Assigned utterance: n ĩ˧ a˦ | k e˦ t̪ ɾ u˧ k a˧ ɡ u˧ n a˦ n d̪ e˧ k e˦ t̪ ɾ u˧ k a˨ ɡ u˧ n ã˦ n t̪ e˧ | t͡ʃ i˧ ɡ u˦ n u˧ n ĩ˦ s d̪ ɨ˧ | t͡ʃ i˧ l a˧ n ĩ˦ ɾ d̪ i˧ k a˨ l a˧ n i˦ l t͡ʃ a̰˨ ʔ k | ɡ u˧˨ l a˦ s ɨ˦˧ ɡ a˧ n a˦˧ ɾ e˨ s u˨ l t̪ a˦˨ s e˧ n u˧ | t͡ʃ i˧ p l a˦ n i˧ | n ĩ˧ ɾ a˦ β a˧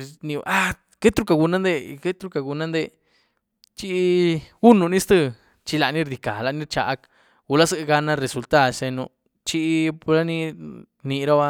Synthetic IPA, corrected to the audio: n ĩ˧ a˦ | k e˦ t̪ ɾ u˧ k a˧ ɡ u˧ n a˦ n d̪ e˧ k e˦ t̪ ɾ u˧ k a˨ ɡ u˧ n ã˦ n d̪ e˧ | t͡ʃ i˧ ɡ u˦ n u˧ n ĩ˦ s t̪ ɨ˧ | t͡ʃ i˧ l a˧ n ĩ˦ ɾ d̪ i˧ k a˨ l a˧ n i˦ ɾ t͡ʃ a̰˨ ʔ k | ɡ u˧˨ l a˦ s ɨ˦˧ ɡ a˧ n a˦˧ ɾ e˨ s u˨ l t̪ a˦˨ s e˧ n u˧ | t͡ʃ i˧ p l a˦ n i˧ | n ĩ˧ ɾ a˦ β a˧